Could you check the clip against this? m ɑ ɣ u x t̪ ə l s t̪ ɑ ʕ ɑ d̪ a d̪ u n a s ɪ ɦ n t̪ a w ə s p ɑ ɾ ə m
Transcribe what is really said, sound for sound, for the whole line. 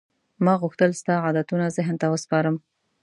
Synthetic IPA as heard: m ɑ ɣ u x t̪ ə l s t̪ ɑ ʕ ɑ d̪ a t̪ u n a z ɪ ɦ n t̪ a w ə s p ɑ ɾ ə m